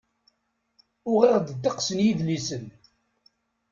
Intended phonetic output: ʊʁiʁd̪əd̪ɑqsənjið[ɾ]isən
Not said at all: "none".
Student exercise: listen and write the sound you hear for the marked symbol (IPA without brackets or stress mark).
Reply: l